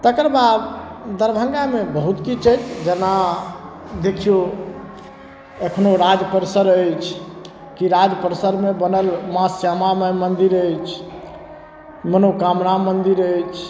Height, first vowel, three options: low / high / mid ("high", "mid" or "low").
mid